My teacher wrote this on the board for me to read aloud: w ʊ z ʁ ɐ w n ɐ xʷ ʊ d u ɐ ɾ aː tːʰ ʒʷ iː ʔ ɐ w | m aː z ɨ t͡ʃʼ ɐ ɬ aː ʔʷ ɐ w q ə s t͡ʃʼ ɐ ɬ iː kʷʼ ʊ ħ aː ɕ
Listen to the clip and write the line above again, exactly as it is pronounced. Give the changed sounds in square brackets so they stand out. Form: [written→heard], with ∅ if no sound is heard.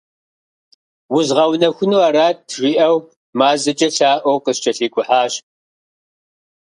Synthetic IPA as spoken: w ʊ z ʁ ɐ w n ɐ xʷ ʊ [d→n] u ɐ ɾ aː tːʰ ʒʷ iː ʔ ɐ w | m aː z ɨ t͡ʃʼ ɐ ɬ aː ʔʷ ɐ w q ə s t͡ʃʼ ɐ ɬ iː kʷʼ ʊ ħ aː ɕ